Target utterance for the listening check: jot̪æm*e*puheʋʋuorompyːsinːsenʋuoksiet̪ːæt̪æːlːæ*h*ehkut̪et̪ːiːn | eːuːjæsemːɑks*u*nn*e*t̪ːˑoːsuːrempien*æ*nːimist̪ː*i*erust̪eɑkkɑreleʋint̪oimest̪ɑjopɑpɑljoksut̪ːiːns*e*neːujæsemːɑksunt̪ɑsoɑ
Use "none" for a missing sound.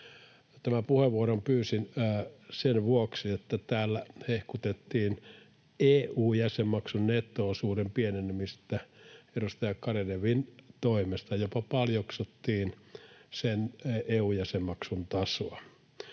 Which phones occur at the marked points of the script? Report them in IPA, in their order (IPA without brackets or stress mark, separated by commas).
æ, h, u, e, e, æ, e